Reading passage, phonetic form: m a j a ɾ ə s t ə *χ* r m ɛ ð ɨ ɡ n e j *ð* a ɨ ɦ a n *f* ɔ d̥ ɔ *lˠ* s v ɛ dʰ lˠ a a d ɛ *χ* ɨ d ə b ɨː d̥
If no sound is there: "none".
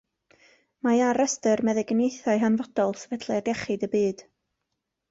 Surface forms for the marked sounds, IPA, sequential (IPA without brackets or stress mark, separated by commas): none, θ, v, lˠ, χ